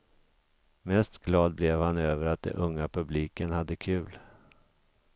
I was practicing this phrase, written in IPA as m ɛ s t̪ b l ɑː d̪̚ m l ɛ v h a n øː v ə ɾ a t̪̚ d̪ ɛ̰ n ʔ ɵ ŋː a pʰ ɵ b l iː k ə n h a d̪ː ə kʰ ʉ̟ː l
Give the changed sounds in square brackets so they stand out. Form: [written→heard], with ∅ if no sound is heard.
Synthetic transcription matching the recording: m ɛ s t̪ [b→ɡ] l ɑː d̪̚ [m→b] l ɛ v h a n øː v ə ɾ a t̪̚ d̪ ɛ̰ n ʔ ɵ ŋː a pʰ ɵ b l iː k ə n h a d̪ː ə kʰ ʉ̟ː l